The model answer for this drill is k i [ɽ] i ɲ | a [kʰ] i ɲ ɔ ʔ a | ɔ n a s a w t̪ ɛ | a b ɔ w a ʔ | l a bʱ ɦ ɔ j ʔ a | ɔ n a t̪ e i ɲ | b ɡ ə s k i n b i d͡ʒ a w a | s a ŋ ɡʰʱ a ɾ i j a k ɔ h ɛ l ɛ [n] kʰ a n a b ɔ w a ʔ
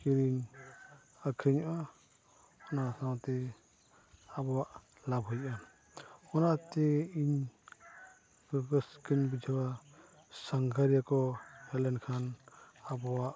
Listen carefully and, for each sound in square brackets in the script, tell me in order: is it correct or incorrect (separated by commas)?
incorrect, correct, correct